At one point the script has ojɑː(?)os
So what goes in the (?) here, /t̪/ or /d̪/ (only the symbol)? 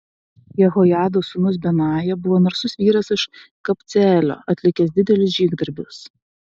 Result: d̪